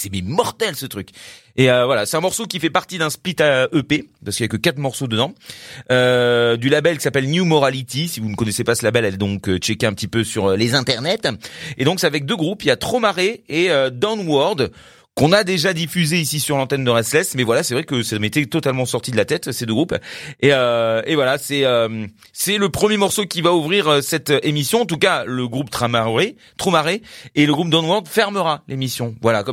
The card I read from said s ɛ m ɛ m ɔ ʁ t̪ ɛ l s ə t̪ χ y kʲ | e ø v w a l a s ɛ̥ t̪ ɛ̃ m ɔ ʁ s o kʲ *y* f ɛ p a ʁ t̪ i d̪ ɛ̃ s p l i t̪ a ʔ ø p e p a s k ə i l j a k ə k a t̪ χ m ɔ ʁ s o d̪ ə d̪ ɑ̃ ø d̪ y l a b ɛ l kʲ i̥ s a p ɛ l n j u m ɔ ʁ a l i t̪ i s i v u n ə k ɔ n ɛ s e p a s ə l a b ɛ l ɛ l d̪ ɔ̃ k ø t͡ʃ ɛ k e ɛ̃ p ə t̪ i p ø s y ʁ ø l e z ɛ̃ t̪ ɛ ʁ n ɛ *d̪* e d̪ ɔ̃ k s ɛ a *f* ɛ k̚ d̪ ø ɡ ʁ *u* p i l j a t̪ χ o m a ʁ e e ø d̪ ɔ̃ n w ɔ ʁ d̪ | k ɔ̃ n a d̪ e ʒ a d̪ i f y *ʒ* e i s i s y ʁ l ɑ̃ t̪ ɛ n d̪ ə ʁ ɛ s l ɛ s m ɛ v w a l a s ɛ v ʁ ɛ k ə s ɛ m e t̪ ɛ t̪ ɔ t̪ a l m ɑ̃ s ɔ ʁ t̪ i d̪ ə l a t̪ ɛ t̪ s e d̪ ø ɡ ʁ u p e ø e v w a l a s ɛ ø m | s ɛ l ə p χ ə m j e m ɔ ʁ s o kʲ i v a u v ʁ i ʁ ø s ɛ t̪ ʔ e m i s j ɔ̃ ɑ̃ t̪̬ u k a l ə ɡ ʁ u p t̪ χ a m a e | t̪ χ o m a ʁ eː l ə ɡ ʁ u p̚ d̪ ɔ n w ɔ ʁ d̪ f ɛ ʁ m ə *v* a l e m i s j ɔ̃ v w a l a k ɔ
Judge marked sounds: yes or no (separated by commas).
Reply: no, no, no, yes, no, no